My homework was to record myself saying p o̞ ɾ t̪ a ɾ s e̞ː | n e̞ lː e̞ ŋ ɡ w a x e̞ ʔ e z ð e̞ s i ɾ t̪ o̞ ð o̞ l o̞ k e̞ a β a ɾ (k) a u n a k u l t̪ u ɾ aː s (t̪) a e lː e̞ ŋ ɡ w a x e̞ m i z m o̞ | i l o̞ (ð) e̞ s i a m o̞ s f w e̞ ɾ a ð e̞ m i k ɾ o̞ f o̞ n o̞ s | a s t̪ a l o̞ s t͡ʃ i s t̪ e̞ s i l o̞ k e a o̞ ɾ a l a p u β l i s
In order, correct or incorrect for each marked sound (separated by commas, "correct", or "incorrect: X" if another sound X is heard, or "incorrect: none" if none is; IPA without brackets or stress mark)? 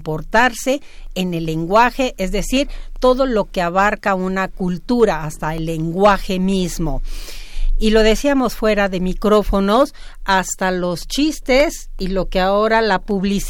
correct, correct, correct